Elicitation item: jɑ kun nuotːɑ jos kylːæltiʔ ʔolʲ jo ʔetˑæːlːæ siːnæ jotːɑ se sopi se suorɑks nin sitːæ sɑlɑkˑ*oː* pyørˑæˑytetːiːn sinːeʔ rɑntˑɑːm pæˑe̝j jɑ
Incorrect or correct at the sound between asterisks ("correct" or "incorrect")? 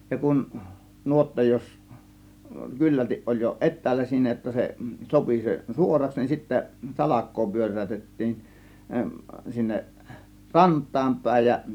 correct